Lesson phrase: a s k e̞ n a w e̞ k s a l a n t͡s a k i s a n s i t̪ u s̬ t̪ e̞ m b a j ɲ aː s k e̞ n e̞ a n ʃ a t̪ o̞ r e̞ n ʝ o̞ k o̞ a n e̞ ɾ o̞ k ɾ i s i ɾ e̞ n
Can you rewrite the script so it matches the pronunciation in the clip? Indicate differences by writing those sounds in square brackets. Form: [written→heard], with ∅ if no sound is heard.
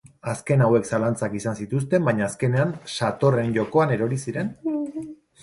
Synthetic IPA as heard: a s k e̞ n a w e̞ k s a l a n t͡s a k i s a n s i t̪ u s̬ t̪ e̞ m b a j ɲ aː s k e̞ n e̞ a n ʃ a t̪ o̞ r e̞ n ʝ o̞ k o̞ a n e̞ ɾ o̞ [k→∅] ɾ i s i ɾ e̞ n